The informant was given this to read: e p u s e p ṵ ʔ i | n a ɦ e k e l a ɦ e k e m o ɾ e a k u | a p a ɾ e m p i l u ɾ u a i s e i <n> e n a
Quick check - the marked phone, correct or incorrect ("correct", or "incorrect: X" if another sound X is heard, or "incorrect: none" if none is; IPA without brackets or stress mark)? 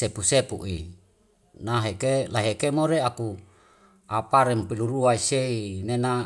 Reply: correct